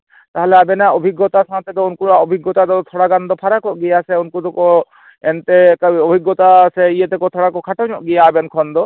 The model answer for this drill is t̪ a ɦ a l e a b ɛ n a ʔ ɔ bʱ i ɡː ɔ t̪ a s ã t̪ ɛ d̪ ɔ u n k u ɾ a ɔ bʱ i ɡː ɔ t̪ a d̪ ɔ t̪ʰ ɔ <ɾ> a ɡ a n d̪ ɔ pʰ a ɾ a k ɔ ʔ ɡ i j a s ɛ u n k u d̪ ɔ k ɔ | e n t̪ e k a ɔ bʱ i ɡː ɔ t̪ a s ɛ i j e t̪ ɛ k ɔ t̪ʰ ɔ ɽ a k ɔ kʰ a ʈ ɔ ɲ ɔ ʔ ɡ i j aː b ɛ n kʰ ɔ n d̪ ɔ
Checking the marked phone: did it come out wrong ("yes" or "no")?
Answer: yes